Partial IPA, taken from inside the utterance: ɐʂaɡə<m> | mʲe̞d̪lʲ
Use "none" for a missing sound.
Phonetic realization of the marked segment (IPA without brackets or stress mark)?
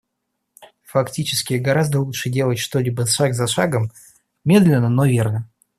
m